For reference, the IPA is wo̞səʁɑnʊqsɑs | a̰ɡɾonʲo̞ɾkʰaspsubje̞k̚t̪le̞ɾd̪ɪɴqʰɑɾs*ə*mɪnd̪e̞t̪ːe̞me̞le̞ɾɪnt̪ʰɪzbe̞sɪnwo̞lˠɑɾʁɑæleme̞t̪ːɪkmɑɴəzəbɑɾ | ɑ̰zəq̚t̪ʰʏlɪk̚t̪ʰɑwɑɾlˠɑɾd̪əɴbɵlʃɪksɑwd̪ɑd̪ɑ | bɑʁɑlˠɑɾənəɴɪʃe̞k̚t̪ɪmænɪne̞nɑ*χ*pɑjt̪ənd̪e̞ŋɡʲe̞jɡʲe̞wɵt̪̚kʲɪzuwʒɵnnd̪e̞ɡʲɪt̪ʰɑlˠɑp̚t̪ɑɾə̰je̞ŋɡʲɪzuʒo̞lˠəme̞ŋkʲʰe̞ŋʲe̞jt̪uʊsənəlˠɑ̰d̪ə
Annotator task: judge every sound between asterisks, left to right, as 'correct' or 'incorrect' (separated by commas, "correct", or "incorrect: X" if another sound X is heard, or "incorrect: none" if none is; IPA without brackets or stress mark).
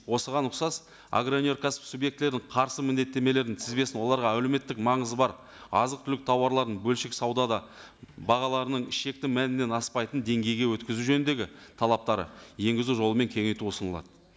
correct, incorrect: s